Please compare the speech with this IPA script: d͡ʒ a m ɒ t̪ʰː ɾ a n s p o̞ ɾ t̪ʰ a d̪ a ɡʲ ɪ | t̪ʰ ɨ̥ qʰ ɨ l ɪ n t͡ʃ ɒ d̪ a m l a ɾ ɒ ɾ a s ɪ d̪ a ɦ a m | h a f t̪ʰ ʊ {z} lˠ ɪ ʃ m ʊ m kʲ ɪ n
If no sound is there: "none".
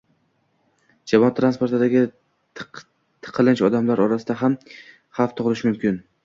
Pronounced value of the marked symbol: ʁ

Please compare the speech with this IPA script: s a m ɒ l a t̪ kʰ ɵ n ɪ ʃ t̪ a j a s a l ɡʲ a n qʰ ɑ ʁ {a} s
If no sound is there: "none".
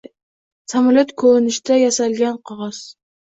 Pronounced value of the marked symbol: ɑ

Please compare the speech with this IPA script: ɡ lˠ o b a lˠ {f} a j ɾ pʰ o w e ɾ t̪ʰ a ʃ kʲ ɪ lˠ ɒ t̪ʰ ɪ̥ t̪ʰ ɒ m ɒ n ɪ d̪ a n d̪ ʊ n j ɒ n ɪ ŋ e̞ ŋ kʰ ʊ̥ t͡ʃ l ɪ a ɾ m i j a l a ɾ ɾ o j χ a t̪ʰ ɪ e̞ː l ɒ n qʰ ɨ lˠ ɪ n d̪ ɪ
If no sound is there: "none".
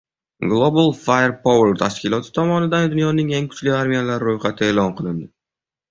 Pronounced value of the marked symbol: f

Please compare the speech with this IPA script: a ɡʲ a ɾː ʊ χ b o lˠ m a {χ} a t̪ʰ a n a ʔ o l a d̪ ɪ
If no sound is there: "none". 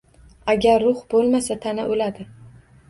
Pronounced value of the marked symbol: s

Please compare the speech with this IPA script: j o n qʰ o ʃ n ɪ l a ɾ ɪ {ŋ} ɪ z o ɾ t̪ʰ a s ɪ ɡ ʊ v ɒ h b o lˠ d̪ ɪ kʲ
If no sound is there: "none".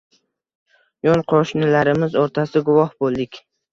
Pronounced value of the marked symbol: m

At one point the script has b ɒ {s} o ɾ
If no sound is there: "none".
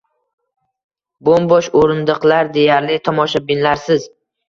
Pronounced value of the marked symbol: ʃ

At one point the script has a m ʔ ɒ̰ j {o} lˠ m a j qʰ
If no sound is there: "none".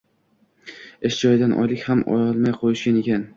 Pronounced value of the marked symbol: ɒ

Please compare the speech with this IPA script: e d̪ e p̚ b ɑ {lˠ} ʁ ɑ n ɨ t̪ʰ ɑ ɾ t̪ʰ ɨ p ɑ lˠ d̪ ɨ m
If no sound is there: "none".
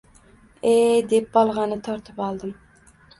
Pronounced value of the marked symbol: lˠ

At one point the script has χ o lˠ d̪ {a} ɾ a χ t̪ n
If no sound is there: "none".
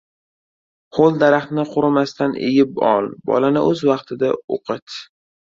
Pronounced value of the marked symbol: a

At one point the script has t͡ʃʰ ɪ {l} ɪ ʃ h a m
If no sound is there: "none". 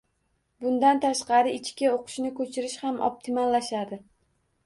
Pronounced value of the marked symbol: ɾ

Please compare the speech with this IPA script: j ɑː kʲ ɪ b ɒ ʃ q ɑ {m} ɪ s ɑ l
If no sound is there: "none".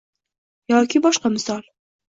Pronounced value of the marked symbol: m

